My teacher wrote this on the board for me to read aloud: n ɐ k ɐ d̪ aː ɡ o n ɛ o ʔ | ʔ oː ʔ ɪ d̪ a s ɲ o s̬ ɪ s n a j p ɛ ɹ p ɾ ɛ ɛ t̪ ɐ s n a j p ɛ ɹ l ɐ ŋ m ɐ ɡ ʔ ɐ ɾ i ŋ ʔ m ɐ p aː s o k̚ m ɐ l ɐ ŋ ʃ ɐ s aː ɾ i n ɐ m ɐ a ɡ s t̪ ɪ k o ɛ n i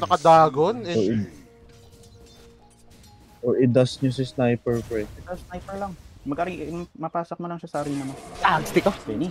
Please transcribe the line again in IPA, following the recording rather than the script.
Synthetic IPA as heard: n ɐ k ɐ d̪ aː ɡ o n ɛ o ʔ | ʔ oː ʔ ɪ d̪ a s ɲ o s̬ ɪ s n a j p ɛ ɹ p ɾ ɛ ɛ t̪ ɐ s n a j p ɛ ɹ l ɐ ŋ m ɐ ɡ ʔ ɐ ɾ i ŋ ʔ m ɐ p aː s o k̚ m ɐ l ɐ ŋ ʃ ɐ s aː ɾ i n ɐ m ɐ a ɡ s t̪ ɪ k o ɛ n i